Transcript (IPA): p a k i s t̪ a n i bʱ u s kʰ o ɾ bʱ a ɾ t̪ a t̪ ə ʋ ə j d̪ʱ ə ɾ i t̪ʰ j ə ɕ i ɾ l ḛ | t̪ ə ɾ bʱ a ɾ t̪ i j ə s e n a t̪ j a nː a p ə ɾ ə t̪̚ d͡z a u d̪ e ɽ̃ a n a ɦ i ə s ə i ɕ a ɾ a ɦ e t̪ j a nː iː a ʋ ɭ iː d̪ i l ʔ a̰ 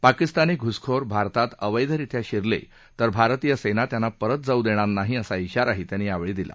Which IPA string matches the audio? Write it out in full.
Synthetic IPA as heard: p a k i s t̪ a n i ɡʱ u s kʰ o ɾ bʱ a ɾ t̪ a t̪ ə ʋ ə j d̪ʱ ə ɾ i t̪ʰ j a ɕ i ɾ l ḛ | t̪ ə ɾ bʱ a ɾ t̪ i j ə s e n a t̪ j a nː a p ə ɾ ə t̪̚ d͡z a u d̪ e ɽ̃ a n a ɦ i ə s a i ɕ a ɾ a ɦ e t̪ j a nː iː a ʋ ɭ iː d̪ i l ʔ a̰